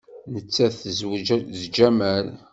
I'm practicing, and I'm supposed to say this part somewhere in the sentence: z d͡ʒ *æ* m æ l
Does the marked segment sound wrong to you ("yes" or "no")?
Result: no